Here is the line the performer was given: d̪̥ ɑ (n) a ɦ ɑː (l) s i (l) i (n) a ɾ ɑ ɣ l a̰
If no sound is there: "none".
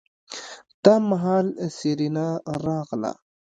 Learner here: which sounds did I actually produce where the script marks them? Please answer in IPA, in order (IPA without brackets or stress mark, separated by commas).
m, l, ɾ, n